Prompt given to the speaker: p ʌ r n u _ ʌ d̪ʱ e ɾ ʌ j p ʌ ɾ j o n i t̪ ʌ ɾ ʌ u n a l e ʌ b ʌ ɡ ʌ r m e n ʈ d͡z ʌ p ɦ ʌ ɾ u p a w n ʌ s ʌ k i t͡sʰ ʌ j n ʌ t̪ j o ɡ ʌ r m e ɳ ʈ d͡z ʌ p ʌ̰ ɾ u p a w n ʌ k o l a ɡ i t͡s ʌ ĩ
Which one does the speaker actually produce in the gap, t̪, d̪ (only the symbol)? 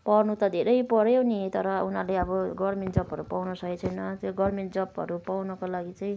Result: t̪